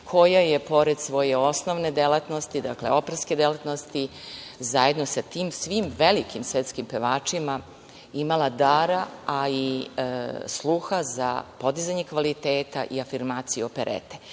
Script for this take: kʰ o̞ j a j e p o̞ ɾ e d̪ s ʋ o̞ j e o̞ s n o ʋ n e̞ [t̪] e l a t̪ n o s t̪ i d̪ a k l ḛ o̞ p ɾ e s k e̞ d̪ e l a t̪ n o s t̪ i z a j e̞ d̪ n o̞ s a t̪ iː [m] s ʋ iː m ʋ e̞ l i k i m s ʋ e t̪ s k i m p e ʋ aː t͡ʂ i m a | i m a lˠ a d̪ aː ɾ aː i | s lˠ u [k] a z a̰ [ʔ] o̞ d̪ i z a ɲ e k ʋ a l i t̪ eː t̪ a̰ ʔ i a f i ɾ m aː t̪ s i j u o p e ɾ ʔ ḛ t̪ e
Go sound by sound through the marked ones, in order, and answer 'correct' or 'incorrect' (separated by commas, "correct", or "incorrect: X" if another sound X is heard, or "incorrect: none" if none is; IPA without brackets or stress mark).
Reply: incorrect: d̪, correct, incorrect: x, incorrect: p